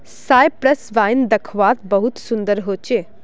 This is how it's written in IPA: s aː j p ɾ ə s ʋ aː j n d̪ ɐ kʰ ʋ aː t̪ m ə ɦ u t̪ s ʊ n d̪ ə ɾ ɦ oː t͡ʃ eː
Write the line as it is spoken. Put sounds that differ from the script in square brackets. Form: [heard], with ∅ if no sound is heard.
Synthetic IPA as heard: s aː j p ɾ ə s ʋ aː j n d̪ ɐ kʰ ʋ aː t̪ [b] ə ɦ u t̪ s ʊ n d̪ ə ɾ ɦ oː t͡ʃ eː